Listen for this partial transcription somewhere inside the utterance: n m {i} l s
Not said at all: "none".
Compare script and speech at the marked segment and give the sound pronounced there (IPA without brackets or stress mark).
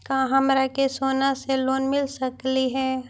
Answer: ɪ